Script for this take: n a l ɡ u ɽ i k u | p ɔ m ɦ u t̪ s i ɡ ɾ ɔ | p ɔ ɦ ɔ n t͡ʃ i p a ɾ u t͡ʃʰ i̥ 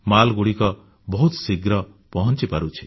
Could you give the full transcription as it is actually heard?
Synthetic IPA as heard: m a l ɡ u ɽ i k ɔ | b ɔ ɦ u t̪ s i ɡ ɾ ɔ | p ɔ ɦ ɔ n t͡ʃ i p a ɾ u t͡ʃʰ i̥